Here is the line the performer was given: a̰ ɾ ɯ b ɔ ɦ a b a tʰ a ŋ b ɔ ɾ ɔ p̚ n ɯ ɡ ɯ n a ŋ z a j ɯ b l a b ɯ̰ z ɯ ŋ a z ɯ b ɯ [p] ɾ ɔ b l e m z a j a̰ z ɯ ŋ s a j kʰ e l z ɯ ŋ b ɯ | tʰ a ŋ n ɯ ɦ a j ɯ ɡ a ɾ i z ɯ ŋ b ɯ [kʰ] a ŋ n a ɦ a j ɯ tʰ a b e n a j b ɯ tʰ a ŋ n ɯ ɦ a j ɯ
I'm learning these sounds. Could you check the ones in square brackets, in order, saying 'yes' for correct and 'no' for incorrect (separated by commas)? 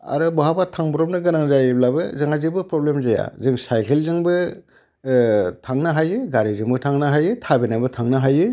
yes, no